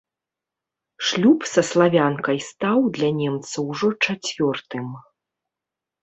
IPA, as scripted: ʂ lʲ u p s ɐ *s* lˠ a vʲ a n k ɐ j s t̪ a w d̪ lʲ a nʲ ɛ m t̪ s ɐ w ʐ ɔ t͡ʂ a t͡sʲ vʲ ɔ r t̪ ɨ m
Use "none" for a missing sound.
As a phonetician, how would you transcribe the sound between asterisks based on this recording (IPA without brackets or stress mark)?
s